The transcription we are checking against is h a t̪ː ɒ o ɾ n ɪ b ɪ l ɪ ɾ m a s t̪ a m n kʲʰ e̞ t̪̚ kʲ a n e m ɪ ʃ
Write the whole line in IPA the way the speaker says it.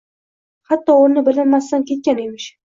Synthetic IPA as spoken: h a t̪ː ɒ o ɾ n ɪ b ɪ l ɪ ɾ m a s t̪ a n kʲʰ e̞ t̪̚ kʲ a n e m ɪ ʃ